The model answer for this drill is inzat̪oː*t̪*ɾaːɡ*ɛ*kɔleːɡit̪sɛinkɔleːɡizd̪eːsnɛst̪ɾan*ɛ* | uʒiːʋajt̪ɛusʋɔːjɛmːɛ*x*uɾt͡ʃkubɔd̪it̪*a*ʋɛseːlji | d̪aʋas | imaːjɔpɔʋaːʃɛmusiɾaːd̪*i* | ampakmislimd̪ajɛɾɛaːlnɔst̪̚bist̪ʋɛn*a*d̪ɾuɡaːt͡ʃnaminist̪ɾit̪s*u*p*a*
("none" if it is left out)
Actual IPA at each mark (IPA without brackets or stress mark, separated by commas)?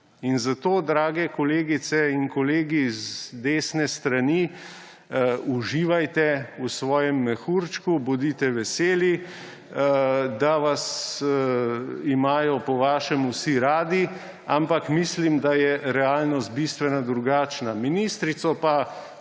d̪, ɛ, i, x, ɛ, i, a, ɔ, a